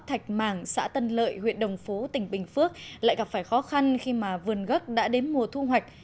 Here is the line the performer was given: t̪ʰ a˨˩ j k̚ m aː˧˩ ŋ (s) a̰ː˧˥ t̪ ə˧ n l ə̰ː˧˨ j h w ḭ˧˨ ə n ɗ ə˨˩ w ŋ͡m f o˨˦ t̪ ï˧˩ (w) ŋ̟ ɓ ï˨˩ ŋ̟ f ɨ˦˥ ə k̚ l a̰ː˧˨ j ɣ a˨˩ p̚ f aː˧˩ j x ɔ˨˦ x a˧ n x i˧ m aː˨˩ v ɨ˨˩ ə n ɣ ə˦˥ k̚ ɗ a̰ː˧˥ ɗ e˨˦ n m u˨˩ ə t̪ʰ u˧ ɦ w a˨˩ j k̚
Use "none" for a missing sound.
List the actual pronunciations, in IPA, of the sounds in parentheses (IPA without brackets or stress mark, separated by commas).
s, none